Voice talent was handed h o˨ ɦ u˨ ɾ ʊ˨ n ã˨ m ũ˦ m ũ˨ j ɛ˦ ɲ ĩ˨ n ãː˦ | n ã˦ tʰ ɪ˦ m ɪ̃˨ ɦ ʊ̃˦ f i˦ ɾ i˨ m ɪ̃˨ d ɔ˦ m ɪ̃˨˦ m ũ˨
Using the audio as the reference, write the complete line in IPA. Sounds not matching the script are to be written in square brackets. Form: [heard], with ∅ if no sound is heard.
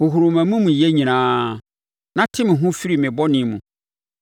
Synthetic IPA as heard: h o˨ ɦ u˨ ɾ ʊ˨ [m] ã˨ m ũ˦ m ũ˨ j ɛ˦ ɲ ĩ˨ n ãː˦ | n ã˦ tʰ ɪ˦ m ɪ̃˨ ɦ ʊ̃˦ f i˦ ɾ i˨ m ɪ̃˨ [b] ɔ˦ [n] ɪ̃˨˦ m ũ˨

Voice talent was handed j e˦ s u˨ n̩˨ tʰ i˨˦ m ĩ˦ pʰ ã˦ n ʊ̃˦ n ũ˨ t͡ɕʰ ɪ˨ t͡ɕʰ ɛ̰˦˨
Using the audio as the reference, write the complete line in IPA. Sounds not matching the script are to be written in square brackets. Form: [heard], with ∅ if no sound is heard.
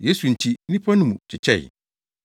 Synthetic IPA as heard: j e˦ s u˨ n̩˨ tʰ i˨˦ [n] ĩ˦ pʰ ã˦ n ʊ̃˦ [m] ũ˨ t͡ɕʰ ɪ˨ t͡ɕʰ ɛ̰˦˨

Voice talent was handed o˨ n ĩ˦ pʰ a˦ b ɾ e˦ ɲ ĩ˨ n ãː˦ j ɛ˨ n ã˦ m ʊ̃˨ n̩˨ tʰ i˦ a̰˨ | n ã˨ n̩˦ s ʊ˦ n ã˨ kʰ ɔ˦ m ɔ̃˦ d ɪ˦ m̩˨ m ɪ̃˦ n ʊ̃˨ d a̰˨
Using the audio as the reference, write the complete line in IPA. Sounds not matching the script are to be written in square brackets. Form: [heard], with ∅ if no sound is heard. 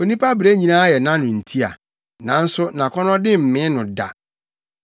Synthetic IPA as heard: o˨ n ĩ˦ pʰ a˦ b ɾ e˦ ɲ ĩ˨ n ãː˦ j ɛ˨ n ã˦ [n] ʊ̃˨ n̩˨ tʰ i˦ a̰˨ | n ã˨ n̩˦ s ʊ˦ n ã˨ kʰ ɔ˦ [n] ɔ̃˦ d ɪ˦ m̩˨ m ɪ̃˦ n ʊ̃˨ d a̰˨

